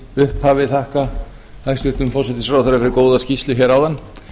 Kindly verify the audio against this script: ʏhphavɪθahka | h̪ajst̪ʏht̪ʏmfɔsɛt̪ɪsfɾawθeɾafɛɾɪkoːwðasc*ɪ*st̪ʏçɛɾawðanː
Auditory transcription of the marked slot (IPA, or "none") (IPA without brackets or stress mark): i